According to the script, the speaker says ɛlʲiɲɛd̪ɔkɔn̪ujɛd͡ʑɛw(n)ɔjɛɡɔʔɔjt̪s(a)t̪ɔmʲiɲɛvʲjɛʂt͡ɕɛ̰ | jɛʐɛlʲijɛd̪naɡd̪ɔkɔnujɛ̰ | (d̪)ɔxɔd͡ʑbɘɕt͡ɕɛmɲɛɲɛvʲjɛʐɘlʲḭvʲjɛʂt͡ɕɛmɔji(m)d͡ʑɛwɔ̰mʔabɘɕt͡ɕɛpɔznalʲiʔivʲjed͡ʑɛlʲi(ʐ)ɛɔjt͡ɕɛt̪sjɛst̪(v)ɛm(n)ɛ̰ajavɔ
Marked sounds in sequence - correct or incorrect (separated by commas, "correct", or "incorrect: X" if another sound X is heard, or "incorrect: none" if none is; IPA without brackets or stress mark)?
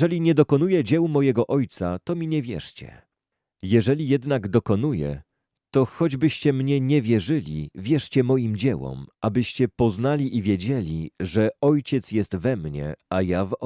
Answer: incorrect: m, correct, incorrect: t̪, correct, correct, correct, incorrect: ɲ